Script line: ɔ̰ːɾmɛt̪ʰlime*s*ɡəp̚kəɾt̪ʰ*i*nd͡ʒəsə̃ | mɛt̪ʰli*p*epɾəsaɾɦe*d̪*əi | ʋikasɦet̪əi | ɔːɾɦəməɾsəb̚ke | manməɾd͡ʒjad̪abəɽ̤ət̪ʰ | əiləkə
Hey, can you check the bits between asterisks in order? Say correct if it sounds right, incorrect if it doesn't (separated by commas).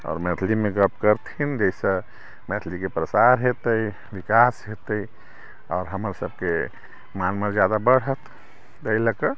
incorrect, correct, incorrect, incorrect